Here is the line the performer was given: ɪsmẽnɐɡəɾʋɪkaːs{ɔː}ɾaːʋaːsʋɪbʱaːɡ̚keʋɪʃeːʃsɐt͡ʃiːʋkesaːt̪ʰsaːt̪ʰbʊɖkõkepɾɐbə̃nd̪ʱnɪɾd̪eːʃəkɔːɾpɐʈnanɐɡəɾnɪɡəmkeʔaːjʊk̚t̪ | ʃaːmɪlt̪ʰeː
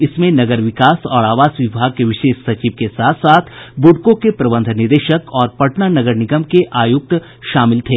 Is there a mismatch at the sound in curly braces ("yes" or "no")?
no